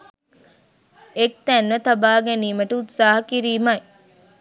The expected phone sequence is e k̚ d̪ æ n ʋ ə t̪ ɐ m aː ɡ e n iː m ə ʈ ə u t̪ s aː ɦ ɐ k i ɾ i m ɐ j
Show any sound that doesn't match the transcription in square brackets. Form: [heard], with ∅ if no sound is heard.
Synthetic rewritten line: e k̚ [t̪] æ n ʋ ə t̪ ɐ [b] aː ɡ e n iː m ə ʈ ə u t̪ s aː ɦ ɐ k i ɾ [iː] m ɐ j